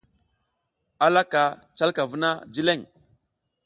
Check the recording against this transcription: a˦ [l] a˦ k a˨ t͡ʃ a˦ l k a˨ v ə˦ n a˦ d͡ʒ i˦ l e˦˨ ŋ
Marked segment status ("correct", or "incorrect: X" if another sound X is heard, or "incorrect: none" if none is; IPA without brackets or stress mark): correct